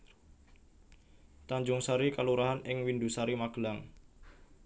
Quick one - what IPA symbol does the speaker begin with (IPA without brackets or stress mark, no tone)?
t̪